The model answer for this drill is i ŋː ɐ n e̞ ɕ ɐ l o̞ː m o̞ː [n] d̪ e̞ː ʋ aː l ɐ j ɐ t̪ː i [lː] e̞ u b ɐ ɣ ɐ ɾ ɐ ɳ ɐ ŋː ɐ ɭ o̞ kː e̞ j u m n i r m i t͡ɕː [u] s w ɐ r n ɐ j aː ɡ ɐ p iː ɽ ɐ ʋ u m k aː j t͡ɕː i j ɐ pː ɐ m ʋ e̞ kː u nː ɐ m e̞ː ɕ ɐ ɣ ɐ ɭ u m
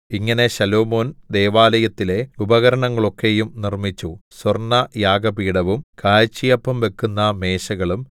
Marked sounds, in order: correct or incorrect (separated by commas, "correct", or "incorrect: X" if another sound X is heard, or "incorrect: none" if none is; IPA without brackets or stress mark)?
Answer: correct, incorrect: l, correct